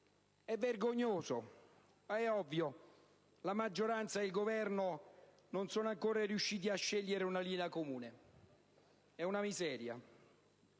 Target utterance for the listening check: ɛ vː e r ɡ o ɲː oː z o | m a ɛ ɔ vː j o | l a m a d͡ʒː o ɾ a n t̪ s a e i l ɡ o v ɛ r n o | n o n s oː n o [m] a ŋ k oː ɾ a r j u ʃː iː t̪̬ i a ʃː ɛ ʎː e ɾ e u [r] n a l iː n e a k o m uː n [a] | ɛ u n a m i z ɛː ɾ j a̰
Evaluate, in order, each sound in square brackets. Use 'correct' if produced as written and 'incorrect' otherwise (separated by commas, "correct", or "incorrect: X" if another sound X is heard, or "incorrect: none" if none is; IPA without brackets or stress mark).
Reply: incorrect: none, incorrect: none, incorrect: e